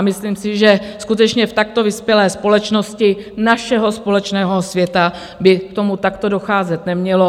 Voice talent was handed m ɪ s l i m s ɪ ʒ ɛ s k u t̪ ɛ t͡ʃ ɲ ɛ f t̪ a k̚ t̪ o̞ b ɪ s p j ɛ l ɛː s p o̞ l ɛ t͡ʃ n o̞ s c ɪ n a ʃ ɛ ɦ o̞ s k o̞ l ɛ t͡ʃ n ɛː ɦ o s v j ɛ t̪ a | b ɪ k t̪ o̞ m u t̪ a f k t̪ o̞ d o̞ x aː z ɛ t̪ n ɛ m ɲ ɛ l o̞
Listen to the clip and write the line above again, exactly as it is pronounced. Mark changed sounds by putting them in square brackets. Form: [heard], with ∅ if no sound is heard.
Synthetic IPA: m ɪ s l i m s ɪ ʒ ɛ s k u t̪ ɛ t͡ʃ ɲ ɛ f t̪ a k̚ t̪ o̞ [v] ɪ s p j ɛ l ɛː s p o̞ l ɛ t͡ʃ n o̞ s c ɪ n a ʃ ɛ ɦ o̞ s [p] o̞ l ɛ t͡ʃ n ɛː ɦ o s v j ɛ t̪ a | b ɪ k t̪ o̞ m u t̪ a [∅] k t̪ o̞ d o̞ x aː z ɛ t̪ n ɛ m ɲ ɛ l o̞